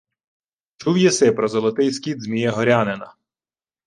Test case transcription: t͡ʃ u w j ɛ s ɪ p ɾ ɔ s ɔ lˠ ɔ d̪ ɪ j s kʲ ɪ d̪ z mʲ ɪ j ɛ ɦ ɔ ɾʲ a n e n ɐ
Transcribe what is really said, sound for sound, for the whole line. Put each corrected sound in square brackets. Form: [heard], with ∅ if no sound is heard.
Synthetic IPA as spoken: t͡ʃ u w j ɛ s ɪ p ɾ ɔ [z] ɔ lˠ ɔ [t̪] ɪ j s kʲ [i] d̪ z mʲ [i] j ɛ ɦ ɔ ɾʲ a n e n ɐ